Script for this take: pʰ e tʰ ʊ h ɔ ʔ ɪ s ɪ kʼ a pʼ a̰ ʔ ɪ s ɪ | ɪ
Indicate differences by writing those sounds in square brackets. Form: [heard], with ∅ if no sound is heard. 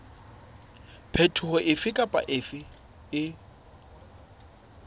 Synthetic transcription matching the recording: pʰ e tʰ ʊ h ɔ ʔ ɪ [f] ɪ kʼ a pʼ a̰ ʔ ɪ [f] ɪ | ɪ